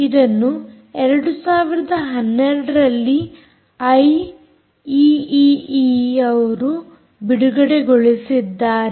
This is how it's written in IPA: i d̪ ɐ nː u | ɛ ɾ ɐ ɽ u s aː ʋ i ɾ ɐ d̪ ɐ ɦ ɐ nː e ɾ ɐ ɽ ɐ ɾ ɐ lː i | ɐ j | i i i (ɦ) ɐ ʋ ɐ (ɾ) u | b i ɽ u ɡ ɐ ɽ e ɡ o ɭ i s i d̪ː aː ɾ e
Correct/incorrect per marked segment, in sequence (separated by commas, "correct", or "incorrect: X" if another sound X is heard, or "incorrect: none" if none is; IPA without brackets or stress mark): incorrect: none, correct